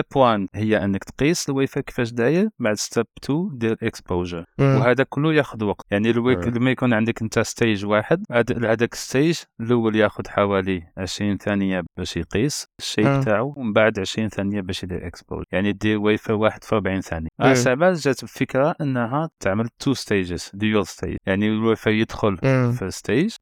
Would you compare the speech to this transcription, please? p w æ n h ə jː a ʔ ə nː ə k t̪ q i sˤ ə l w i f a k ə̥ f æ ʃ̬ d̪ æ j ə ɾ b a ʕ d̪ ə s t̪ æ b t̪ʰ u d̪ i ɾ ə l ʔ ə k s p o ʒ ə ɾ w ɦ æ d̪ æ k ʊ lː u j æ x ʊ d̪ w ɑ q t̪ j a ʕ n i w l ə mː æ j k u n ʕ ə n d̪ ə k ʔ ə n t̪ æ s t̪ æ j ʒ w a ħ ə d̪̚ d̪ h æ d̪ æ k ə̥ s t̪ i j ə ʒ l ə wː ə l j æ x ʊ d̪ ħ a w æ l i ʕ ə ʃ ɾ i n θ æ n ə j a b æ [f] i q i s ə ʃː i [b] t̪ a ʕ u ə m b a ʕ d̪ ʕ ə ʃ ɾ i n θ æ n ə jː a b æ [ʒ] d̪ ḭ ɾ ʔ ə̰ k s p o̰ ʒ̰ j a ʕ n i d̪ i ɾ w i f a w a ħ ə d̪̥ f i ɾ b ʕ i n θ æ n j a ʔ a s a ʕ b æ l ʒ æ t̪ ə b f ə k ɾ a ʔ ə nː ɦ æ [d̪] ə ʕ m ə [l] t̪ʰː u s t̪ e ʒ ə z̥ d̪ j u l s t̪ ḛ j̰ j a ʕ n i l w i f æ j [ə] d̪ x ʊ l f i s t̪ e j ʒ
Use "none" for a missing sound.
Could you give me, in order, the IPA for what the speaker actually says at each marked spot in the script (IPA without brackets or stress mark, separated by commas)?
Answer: ʃ, b, ʃ, t̪, l, ə